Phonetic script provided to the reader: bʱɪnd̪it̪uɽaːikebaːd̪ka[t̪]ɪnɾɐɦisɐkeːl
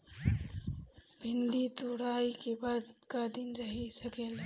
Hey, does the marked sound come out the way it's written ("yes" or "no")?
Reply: no